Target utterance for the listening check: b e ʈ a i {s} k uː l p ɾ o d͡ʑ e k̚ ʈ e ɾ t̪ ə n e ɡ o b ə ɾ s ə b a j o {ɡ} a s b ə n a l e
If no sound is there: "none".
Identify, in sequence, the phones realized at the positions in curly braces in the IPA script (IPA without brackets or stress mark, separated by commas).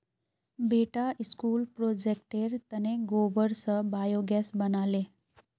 s, ɡ